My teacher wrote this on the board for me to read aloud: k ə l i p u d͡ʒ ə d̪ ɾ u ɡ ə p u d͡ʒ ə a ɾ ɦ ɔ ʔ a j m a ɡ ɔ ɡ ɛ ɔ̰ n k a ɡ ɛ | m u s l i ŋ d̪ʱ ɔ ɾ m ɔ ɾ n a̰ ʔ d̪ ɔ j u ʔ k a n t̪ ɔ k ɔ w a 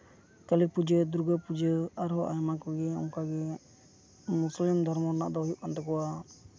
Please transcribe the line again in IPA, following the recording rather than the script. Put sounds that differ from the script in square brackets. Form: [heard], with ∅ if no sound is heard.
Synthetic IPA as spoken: k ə l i p u d͡ʒ ə d̪ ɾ u ɡ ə p u d͡ʒ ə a ɾ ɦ ɔ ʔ a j m a [k] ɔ ɡ ɛ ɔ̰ [ŋ] k a ɡ ɛ | m u s l i [m] d̪ʱ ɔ ɾ m ɔ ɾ n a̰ ʔ d̪ ɔ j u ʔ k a n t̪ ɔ k ɔ w a